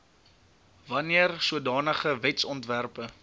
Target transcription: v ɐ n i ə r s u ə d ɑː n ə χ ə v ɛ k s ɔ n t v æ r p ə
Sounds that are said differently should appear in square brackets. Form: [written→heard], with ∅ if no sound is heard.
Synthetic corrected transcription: v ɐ n i ə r s u ə d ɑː n ə χ ə v ɛ [k→t] s ɔ n t v æ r p ə

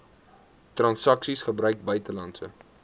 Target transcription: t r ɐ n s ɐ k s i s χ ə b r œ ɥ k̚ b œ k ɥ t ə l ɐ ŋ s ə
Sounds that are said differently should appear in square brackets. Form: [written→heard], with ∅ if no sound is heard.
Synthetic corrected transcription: t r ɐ n s ɐ k s i s χ ə b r œ ɥ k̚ b œ [k→∅] ɥ t ə l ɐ [ŋ→n] s ə

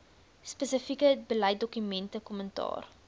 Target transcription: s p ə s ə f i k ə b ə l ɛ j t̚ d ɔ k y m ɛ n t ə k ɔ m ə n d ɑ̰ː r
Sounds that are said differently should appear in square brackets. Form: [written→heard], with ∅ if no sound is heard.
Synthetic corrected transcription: s p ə s ə f i k ə b ə l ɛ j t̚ d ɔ k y m ɛ n t ə k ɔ m ə n [d→t] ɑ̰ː r

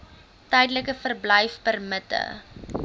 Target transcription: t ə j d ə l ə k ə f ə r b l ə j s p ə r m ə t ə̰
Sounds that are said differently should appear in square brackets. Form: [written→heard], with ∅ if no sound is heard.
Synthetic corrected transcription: t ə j d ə l ə k ə f ə r b l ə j [s→f] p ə r m ə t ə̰

